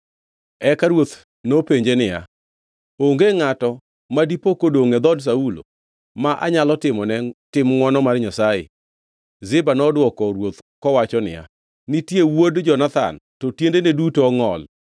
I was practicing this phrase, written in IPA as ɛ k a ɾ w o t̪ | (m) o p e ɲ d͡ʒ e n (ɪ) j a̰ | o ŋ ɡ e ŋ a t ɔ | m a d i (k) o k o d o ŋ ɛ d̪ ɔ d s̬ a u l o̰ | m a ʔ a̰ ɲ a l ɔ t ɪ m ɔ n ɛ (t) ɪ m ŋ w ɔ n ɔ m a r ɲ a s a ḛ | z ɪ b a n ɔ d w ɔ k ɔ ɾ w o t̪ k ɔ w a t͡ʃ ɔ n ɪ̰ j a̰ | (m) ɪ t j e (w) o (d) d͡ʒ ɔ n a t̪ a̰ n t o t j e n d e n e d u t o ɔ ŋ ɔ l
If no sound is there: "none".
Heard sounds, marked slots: n, ɪ, p, t, n, w, d

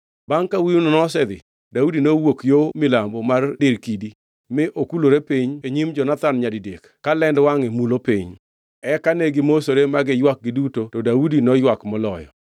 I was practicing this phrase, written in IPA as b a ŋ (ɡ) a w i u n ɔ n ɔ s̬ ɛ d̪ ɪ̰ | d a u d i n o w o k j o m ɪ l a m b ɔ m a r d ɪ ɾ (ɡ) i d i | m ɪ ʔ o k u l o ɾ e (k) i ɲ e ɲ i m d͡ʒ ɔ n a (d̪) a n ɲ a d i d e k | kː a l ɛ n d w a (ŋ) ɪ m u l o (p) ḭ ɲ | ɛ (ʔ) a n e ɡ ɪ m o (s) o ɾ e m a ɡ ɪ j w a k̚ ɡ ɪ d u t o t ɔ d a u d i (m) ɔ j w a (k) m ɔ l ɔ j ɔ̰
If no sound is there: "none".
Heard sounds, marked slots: k, k, p, t̪, ŋ, p, k, s, n, k

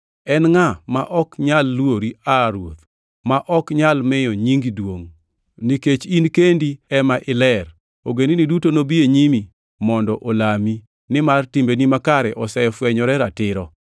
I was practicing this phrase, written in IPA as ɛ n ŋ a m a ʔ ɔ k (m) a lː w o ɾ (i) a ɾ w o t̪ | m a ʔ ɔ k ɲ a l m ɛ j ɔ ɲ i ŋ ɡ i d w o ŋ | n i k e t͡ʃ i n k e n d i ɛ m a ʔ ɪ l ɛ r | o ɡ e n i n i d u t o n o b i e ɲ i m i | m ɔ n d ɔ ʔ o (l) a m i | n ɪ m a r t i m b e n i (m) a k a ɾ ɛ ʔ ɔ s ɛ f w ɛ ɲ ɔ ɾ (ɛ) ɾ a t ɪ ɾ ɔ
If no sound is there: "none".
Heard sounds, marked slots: ɲ, i, l, m, ɛ

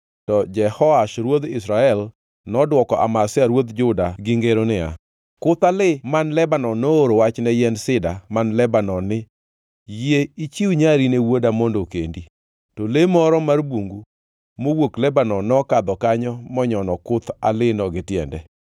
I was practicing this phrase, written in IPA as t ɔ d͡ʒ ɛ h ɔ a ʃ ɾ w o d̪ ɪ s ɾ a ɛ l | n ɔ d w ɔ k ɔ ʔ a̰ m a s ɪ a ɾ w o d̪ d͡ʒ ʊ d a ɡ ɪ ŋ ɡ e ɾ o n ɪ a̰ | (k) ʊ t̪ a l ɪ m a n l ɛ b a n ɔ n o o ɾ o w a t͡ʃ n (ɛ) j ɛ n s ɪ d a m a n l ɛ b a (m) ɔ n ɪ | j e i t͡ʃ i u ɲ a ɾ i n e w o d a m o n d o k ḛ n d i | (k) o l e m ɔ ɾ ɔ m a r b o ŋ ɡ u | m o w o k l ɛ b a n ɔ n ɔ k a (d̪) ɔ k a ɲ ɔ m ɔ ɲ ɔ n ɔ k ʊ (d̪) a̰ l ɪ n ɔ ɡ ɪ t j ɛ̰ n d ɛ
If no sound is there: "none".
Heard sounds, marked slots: k, ɛ, n, t, d̪, t̪

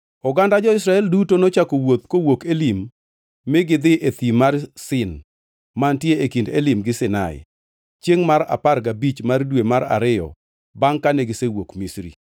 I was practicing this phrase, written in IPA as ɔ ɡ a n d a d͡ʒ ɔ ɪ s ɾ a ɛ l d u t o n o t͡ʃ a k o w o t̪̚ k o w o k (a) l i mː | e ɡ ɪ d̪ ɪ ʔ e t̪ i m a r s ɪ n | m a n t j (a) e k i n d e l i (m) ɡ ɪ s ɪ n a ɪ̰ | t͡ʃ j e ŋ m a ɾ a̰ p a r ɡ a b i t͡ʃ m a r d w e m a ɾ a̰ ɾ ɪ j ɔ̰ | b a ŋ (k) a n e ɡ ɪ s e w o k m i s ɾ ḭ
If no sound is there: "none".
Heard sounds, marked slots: e, e, m, k

